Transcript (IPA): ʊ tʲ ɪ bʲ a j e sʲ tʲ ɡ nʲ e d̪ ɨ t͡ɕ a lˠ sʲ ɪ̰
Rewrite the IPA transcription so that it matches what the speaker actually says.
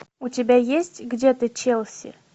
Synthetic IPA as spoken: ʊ tʲ ɪ bʲ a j e sʲ tʲ ɡ dʲ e t̪ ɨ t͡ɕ e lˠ sʲ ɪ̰